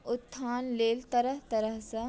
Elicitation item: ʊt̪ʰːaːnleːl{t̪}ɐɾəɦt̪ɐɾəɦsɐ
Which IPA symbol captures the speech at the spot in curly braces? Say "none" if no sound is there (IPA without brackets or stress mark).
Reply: t̪